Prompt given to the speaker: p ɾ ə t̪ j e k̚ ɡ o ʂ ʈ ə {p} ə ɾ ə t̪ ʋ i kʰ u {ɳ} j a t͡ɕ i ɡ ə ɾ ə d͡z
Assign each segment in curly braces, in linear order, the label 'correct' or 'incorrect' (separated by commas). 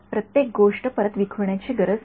correct, correct